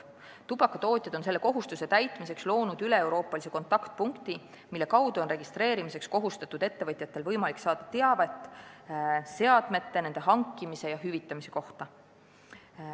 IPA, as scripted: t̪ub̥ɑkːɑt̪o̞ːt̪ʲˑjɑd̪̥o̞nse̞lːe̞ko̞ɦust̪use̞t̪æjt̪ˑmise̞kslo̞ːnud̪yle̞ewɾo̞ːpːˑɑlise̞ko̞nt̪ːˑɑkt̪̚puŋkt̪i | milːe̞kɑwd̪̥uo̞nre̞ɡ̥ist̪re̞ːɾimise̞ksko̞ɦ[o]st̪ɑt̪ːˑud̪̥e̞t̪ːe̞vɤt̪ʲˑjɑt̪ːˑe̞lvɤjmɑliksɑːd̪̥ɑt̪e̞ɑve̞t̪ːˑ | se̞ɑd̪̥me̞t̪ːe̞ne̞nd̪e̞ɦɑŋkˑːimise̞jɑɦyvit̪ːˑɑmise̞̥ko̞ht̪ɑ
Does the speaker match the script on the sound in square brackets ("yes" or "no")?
no